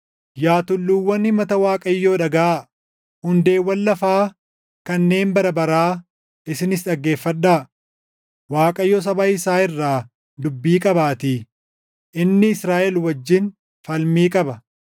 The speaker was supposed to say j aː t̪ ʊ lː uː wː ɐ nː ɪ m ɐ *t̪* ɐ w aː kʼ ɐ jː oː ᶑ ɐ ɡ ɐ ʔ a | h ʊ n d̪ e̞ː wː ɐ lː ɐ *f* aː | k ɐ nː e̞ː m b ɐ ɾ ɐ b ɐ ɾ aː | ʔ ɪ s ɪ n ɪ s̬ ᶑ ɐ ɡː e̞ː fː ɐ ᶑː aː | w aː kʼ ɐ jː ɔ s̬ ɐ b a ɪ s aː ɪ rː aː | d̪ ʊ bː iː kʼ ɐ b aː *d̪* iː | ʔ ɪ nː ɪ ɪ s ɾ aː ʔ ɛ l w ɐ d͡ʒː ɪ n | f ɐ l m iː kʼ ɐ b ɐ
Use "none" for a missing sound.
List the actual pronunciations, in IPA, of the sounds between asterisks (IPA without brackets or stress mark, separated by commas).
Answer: t̪, f, t̪